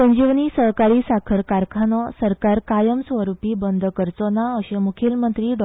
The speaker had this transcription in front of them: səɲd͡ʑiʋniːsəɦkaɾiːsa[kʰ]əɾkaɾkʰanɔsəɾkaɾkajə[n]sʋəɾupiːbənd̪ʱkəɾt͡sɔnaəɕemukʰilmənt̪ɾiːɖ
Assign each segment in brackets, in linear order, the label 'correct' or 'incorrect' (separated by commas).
correct, incorrect